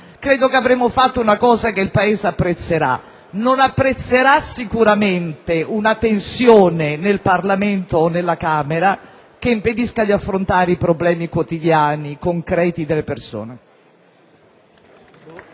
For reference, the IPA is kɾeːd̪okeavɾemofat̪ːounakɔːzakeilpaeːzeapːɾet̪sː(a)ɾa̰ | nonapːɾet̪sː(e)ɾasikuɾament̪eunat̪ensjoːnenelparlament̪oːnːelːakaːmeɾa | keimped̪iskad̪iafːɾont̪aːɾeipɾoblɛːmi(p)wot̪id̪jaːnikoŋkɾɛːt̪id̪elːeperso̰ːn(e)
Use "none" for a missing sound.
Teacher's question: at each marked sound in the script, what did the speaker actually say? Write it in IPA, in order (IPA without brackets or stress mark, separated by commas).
e, e, k, e